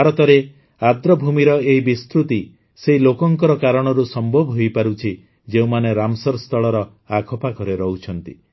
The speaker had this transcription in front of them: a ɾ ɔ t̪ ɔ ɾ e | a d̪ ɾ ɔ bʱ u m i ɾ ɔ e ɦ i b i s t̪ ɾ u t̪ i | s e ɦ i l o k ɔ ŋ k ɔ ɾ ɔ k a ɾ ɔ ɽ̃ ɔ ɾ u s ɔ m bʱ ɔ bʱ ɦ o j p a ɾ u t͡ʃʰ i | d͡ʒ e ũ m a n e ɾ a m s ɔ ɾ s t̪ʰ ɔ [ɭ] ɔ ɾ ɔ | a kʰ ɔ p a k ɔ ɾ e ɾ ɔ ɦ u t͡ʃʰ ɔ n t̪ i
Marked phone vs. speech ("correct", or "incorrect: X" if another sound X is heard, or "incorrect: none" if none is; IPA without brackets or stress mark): correct